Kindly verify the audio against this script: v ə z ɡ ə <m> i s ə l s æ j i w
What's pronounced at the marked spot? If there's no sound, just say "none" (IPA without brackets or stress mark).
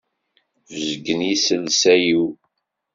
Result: n